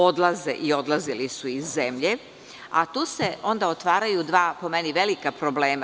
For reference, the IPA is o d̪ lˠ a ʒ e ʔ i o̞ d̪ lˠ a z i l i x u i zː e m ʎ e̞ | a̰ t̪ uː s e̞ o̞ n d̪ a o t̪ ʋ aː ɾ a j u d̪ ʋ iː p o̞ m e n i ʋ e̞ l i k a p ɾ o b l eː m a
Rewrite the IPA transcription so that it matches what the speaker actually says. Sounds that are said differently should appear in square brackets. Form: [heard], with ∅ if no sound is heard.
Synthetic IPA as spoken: o d̪ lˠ a [z] e ʔ i o̞ d̪ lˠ a z i l i [s] u i zː e m ʎ e̞ | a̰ t̪ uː s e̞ o̞ n d̪ a o t̪ ʋ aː ɾ a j u d̪ ʋ [aː] p o̞ m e n i ʋ e̞ l i k a p ɾ o b l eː m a